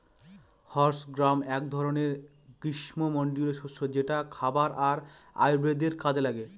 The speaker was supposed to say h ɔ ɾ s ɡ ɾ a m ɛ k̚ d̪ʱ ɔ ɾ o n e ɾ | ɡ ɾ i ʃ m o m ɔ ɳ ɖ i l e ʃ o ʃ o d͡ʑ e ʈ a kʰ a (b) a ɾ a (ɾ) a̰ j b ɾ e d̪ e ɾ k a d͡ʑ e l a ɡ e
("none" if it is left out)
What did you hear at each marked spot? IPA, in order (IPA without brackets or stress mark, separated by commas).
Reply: b, ɾ